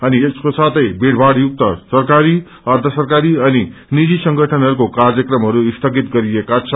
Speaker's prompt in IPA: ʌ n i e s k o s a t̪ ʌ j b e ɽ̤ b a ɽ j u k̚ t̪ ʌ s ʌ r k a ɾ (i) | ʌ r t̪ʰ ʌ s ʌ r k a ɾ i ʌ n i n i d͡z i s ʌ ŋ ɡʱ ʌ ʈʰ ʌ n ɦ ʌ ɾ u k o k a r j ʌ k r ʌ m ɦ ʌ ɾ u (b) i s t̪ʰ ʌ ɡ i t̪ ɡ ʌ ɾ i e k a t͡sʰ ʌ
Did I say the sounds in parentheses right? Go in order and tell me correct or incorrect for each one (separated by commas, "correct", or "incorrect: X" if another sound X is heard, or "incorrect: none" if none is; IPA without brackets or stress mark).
correct, incorrect: none